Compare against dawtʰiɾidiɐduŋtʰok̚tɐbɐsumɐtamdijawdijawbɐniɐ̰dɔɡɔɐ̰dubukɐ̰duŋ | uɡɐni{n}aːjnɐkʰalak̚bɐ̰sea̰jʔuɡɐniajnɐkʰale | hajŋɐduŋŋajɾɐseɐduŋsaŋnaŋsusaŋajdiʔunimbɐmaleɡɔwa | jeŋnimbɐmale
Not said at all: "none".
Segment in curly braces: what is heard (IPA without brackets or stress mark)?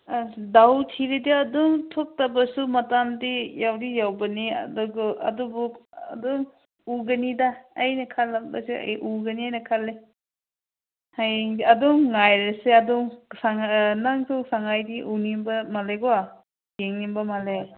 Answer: d